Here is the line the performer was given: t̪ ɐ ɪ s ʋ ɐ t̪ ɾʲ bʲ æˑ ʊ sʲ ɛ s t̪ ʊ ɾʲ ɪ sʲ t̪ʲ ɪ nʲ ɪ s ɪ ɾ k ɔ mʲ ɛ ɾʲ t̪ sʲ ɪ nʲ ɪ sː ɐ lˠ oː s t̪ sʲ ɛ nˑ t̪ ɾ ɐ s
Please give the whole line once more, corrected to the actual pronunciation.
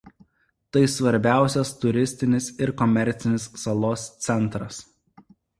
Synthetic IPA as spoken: t̪ ɐ ɪ s ʋ ɐ ɾʲ bʲ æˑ ʊ sʲ ɛ s t̪ ʊ ɾʲ ɪ sʲ t̪ʲ ɪ nʲ ɪ s ɪ ɾ k ɔ mʲ ɛ ɾʲ t̪ sʲ ɪ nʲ ɪ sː ɐ lˠ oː s t̪ sʲ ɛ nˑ t̪ ɾ ɐ s